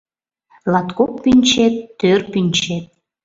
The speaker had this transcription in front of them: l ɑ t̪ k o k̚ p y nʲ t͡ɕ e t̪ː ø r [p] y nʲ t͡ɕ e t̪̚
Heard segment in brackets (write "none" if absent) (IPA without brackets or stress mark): p